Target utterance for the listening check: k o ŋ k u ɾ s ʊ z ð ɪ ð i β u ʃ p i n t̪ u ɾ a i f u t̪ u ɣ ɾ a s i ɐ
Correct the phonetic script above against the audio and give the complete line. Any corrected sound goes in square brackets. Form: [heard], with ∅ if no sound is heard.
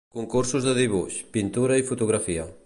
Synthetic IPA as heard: k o ŋ k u ɾ s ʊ z ð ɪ ð i β u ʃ p i n t̪ u ɾ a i f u t̪ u ɣ ɾ a [f] i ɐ